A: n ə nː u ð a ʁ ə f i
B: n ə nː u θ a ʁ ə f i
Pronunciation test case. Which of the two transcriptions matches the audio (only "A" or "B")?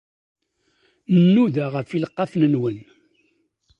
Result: A